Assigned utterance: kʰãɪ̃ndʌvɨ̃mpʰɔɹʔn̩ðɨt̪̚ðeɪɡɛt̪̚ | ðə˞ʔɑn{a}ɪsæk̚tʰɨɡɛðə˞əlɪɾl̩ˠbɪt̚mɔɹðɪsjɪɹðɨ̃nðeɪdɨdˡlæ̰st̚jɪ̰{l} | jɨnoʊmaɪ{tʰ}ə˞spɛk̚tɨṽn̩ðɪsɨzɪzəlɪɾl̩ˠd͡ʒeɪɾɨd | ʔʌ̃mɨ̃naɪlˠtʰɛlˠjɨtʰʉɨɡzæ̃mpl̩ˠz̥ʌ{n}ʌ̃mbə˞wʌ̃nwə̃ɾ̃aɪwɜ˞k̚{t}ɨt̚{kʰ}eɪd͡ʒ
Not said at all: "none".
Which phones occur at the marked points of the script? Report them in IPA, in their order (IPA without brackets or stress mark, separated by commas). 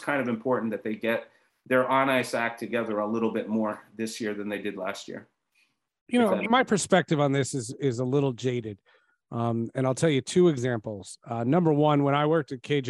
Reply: a, ɹ, pʰ, n, t, kʰ